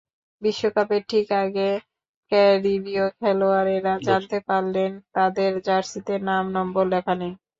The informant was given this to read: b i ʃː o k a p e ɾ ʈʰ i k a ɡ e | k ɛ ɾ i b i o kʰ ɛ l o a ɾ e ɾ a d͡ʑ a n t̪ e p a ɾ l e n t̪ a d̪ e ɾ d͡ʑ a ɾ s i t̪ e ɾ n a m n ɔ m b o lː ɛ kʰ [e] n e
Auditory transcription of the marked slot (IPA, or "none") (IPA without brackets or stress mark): a